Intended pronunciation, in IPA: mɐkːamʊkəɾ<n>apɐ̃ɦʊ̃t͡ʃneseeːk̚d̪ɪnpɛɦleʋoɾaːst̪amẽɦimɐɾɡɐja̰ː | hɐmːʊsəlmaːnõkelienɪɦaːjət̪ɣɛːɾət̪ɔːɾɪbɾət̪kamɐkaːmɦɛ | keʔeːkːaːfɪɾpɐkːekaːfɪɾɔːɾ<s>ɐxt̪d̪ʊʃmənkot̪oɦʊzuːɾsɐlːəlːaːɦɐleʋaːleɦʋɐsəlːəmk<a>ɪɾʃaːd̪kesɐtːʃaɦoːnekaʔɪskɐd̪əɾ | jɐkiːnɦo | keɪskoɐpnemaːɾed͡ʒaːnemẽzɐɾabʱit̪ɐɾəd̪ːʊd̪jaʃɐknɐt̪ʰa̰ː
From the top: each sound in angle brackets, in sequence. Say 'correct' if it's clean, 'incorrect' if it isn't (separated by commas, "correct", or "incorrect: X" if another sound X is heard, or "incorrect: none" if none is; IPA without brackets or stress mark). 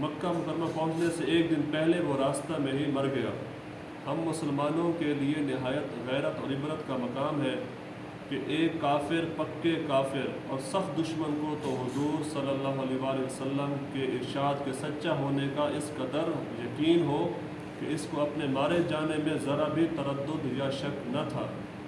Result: incorrect: m, correct, incorrect: e